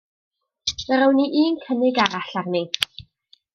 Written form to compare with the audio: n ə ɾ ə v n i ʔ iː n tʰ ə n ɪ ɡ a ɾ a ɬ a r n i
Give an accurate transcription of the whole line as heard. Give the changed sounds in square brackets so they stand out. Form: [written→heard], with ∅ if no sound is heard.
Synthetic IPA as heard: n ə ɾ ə [v→w] n i ʔ iː n [tʰ→kʰ] ə n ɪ ɡ a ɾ a ɬ a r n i

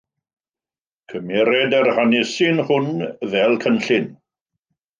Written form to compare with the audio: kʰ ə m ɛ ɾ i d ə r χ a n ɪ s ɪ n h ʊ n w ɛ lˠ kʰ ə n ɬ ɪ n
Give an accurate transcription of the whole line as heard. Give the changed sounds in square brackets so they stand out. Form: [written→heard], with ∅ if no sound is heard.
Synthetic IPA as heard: kʰ ə m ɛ ɾ [i→ɛ] d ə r [χ→h] a n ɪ s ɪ n h ʊ n [w→v] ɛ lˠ kʰ ə n ɬ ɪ n

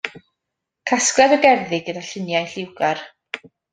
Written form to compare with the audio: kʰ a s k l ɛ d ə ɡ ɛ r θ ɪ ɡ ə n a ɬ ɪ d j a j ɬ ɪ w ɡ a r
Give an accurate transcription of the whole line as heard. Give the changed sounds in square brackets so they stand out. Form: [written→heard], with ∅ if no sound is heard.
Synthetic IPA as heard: kʰ a s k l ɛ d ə ɡ ɛ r [θ→ð] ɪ ɡ ə [n→d] a ɬ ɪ [d→n] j a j ɬ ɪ w ɡ a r

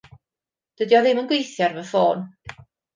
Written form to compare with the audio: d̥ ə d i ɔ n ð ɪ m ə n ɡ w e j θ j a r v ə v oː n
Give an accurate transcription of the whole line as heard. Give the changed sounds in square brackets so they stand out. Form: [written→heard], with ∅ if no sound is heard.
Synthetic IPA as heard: d̥ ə d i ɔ [n→∅] ð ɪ m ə n ɡ w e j θ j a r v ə [v→f] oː n

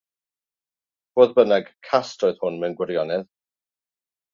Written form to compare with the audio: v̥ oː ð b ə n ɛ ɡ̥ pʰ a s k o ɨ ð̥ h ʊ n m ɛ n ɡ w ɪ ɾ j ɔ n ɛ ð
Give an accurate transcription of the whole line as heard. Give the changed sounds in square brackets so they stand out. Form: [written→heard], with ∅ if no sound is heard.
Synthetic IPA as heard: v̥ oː ð b ə n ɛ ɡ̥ [pʰ→kʰ] a s [k→t] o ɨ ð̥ h ʊ n m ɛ n ɡ w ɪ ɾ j ɔ n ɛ ð

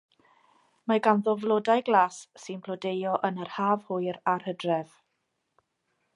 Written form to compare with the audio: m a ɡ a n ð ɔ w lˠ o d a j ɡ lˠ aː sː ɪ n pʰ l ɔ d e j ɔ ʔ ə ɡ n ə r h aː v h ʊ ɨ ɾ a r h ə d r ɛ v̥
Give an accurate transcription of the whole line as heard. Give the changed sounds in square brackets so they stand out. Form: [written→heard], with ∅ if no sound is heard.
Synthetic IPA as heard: m a ɡ a n ð ɔ [w→v] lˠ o d a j ɡ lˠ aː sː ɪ n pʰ l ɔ d e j ɔ ʔ ə [ɡ→∅] n ə r h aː v h ʊ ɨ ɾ a r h ə d r ɛ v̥

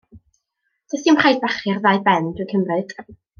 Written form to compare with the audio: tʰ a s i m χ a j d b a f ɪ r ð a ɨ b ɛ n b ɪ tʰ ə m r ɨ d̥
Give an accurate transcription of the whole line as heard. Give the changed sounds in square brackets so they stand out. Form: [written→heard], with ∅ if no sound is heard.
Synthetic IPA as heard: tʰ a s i m χ a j d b a [f→χ] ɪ r ð a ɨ b ɛ n [b→d] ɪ [tʰ→kʰ] ə m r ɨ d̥

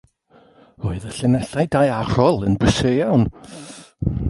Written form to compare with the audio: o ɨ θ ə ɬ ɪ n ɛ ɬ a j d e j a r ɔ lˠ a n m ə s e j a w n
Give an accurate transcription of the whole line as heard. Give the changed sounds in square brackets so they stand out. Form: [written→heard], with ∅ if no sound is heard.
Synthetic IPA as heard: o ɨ [θ→ð] ə ɬ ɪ n ɛ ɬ a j d [e→a] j a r ɔ lˠ [a→ə] n [m→b] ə s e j a w n

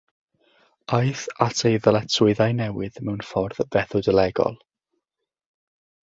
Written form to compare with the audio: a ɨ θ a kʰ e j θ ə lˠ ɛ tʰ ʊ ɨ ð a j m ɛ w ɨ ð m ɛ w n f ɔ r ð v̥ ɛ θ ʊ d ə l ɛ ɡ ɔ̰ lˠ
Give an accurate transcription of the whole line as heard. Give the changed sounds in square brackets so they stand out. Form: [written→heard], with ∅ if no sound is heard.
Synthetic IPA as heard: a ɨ θ a [kʰ→tʰ] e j [θ→ð] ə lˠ ɛ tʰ ʊ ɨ ð a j [m→n] ɛ w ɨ ð m ɛ w n f ɔ r ð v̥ ɛ θ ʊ d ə l ɛ ɡ ɔ̰ lˠ

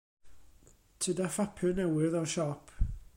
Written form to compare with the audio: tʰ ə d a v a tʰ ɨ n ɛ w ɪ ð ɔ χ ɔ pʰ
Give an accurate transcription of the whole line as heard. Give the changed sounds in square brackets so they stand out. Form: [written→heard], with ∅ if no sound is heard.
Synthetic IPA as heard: tʰ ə d a [v→f] a [tʰ→pʰ] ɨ n ɛ w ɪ ð ɔ [χ→ʃ] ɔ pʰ

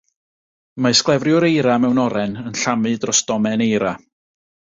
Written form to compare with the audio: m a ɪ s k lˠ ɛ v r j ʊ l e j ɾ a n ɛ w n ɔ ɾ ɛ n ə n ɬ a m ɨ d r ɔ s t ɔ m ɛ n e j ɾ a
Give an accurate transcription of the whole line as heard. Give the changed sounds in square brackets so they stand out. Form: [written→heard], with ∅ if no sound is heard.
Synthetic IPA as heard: m a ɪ s k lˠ ɛ v r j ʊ [l→ɾ] e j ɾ a [n→m] ɛ w n ɔ ɾ ɛ n ə n ɬ a m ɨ d r ɔ s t ɔ m ɛ n e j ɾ a

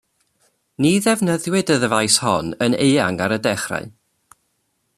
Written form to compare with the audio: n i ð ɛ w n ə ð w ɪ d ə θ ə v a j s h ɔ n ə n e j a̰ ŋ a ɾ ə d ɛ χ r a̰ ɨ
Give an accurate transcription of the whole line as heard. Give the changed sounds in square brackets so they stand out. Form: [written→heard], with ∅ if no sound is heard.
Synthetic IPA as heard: n i ð ɛ [w→v] n ə ð w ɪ d ə [θ→ð] ə v a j s h ɔ n ə n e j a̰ ŋ a ɾ ə d ɛ χ r a̰ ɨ

